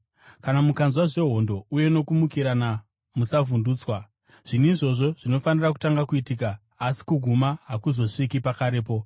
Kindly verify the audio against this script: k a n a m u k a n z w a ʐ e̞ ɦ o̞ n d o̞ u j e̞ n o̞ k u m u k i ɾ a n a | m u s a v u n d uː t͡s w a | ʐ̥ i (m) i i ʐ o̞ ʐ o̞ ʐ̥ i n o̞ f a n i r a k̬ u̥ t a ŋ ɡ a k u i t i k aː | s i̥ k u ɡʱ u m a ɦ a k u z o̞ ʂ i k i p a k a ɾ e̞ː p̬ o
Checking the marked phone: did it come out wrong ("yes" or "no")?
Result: yes